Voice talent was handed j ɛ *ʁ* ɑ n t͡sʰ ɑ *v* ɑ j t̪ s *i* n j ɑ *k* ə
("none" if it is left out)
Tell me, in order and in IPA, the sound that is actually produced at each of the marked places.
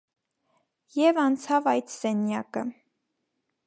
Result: v, v, ɛ, k

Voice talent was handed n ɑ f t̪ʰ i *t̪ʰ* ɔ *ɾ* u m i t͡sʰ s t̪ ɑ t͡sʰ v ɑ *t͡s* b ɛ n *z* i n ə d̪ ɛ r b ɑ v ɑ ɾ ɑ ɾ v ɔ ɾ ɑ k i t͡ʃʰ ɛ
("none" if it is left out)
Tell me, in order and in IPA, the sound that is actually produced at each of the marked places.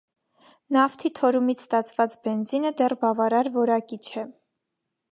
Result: t̪ʰ, ɾ, t͡s, z

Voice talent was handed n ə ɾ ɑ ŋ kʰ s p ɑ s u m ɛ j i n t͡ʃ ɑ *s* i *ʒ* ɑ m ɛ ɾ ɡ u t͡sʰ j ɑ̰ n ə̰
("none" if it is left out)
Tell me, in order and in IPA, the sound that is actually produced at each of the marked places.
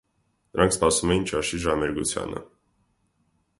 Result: ʃ, ʒ

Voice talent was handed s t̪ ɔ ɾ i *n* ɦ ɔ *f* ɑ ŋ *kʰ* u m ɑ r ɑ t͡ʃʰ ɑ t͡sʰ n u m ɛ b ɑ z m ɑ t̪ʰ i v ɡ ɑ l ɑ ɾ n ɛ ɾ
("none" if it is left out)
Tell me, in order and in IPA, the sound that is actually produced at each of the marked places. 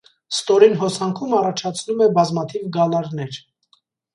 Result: n, s, kʰ

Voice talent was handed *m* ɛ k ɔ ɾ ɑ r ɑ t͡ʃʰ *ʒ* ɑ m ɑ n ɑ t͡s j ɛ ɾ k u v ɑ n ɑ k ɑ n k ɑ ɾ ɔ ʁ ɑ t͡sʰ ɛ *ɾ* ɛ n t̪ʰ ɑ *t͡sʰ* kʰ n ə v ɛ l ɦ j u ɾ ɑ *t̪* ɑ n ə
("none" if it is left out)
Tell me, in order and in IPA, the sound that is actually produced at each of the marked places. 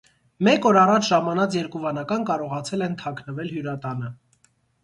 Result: m, ʒ, l, none, t̪

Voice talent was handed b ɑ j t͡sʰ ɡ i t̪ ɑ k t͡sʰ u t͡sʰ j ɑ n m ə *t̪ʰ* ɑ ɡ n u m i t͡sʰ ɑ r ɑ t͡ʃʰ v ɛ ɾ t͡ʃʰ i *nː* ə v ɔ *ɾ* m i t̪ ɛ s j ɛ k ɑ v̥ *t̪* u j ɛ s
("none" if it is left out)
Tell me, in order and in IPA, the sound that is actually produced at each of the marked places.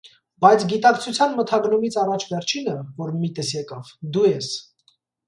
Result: t̪ʰ, n, ɾ, d̪

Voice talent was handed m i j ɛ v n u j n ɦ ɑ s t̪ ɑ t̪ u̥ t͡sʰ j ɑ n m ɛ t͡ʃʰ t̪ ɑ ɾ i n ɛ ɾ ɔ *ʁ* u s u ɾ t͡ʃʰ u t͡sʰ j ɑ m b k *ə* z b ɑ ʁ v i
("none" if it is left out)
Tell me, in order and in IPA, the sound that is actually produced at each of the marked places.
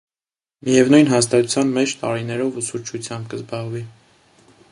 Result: v, ə

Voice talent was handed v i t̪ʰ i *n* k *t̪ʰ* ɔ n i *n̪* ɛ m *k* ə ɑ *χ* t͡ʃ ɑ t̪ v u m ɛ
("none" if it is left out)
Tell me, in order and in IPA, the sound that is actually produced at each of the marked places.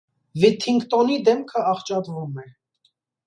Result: ŋ, t̪, d̪, kʰ, χ

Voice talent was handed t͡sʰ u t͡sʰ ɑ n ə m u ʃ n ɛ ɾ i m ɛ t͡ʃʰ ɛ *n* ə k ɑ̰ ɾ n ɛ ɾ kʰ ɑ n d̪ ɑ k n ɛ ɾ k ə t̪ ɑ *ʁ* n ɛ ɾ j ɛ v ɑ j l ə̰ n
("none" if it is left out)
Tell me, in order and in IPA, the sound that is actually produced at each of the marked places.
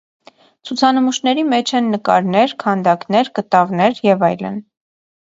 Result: nː, v

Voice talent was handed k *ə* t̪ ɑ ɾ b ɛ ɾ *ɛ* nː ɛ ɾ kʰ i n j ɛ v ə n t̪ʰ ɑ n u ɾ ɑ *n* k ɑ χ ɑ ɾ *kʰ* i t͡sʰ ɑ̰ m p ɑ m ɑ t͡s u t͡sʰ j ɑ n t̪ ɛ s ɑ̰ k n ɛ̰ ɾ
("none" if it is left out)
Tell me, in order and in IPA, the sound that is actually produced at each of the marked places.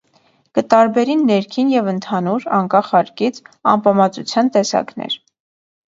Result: ə, i, ŋ, k

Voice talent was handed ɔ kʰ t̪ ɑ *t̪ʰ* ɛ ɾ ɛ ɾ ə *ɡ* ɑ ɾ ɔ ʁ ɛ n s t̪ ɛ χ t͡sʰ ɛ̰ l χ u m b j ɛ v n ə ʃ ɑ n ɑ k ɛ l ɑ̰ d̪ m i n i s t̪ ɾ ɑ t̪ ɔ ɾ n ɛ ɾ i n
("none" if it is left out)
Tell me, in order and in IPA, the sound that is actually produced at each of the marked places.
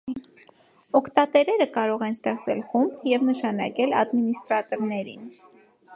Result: t̪, k

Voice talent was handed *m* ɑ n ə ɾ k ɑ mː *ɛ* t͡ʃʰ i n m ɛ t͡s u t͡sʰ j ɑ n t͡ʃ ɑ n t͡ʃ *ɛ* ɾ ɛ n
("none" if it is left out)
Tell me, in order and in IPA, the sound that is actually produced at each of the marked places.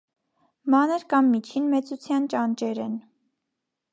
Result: m, i, ɛ

